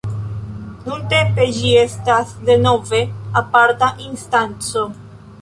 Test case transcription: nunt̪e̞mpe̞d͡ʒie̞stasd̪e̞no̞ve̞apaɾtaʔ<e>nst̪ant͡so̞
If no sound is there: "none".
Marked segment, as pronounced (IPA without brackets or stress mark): i